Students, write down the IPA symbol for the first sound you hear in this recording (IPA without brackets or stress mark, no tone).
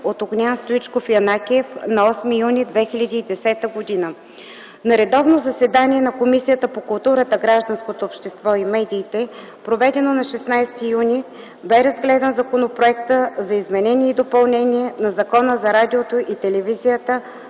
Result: o